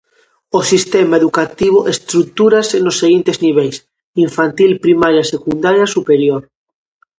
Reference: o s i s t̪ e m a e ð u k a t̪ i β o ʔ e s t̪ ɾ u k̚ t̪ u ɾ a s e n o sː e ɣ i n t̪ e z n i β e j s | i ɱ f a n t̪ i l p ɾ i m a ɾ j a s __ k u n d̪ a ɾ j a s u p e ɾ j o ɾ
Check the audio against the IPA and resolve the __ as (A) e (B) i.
A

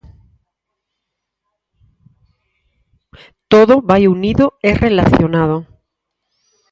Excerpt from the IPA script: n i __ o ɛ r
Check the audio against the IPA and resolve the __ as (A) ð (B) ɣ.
A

